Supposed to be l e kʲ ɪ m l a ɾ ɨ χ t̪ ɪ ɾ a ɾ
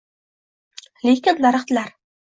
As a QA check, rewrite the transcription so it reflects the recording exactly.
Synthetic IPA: l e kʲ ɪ n l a ɾ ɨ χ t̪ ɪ l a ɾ